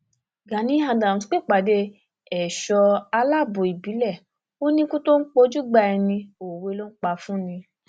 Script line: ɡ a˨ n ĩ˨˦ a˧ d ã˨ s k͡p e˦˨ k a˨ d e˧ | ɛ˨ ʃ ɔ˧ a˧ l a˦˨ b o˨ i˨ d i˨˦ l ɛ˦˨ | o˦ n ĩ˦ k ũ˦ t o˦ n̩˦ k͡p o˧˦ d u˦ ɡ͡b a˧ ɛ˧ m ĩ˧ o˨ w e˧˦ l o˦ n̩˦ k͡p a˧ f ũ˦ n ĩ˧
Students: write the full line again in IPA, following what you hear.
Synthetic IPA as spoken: ɡ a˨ n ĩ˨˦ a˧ d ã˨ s k͡p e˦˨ k͡p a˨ d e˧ | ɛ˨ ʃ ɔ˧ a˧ l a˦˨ b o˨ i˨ b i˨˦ l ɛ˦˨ | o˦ n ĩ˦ k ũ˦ t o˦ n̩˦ k͡p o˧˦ d͡ʒ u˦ ɡ͡b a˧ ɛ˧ n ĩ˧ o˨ w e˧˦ l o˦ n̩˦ k͡p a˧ f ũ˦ n ĩ˧